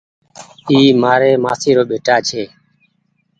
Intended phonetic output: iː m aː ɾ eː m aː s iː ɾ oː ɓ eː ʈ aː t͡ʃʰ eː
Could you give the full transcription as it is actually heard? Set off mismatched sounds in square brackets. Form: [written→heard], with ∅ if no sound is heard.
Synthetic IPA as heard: iː m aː ɾ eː m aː s iː ɾ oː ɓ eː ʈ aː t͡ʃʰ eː